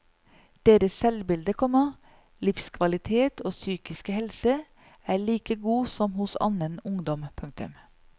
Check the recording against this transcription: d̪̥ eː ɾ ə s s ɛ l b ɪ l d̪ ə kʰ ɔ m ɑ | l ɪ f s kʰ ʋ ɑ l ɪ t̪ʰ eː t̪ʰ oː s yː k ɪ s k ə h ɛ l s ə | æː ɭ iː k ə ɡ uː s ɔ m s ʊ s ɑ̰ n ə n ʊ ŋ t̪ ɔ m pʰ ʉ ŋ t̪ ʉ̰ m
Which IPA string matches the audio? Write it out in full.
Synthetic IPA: d̪̥ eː ɾ ə s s ɛ l b ɪ l d̪ ə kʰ ɔ m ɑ | l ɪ f s kʰ ʋ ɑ l ɪ t̪ʰ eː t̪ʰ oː s yː k ɪ s k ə h ɛ l s ə | æː ɭ iː k ə ɡ uː s ɔ m h ʊ s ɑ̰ n ə n ʊ ŋ d̪ ɔ m pʰ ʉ ŋ t̪ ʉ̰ m